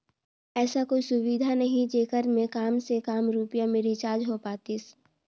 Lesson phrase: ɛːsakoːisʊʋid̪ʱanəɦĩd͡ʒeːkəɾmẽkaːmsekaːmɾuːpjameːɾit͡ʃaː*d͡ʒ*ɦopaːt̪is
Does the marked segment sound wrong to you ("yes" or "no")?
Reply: no